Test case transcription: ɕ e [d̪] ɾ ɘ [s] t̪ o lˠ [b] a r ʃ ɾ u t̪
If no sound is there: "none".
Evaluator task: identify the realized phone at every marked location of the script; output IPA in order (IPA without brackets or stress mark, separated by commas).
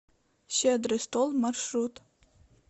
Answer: d̪, s, m